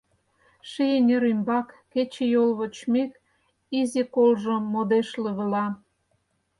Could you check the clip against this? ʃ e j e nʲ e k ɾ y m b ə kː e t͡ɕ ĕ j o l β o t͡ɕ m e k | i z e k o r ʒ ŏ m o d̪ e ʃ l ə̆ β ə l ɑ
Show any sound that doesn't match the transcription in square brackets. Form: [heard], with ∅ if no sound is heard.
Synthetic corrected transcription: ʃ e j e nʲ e [∅] ɾ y m b [ɑ] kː e t͡ɕ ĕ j o l β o t͡ɕ m e k | i z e k o [l] ʒ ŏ m o d̪ e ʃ l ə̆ β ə l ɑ